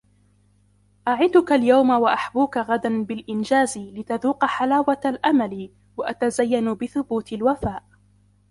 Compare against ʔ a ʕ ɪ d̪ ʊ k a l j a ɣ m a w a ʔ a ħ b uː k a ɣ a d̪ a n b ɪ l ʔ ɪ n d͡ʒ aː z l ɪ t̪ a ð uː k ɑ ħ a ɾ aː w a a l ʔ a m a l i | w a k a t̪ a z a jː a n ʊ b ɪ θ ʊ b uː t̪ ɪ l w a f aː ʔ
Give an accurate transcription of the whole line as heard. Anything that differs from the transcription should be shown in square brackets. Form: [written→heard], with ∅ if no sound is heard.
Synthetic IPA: ʔ a ʕ ɪ d̪ ʊ k a l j a [ɣ→w] m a w a ʔ a ħ b uː k a ɣ a d̪ a n b ɪ l ʔ ɪ n d͡ʒ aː z l ɪ t̪ a ð uː [k→q] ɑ ħ a [ɾ→l] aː w a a l ʔ a m a l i | w a [k→ʔ] a t̪ a z a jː a n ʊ b ɪ θ ʊ b uː t̪ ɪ l w a f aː ʔ